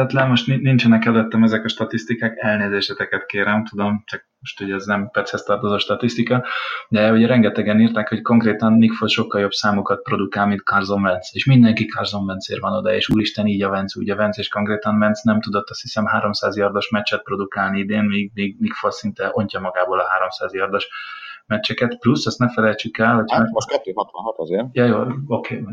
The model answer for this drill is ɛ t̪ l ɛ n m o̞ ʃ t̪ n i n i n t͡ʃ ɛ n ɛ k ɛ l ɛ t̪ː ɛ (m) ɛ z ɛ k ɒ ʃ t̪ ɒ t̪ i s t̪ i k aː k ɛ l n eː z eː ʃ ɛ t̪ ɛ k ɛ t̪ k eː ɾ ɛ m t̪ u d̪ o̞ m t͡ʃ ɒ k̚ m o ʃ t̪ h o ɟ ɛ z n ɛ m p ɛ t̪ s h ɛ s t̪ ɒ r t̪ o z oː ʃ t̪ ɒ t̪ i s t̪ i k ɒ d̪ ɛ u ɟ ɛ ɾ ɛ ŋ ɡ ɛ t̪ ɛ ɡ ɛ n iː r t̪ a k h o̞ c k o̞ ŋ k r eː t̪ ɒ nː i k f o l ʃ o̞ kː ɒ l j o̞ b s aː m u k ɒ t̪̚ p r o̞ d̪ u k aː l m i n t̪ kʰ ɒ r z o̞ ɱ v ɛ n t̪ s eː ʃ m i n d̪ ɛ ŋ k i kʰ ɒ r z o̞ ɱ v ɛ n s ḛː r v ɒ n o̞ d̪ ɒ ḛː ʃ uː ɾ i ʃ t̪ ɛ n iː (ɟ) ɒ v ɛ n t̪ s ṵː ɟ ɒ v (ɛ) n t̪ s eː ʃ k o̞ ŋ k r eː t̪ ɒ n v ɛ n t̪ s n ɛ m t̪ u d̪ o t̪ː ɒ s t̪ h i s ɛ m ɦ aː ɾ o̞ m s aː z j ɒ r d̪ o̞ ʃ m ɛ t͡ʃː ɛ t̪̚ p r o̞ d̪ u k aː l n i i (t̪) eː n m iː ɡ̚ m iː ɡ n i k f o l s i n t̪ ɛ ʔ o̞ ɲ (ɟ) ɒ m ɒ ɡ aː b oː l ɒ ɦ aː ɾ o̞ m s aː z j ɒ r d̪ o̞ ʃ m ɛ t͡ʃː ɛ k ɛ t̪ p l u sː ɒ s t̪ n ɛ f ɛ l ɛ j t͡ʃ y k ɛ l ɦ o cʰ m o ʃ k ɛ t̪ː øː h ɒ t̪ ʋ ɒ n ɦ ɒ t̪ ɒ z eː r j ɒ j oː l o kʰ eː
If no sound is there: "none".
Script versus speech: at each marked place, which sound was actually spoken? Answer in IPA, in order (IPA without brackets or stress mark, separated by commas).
m, ɟ, ɛ, d̪, c